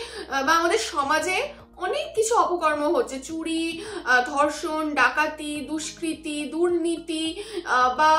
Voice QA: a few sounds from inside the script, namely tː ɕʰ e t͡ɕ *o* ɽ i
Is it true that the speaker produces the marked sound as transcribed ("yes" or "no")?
no